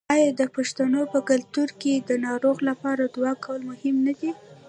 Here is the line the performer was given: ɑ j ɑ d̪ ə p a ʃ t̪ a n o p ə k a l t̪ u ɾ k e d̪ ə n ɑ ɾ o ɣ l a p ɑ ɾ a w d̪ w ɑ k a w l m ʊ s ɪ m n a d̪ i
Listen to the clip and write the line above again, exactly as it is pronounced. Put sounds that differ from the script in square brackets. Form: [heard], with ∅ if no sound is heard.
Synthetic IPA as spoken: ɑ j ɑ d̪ ə p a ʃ t̪ a n o p ə k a l t̪ u ɾ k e d̪ ə n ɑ ɾ o ɣ l a p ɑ ɾ a [∅] d̪ w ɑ k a w l m ʊ [h] ɪ m n a d̪ i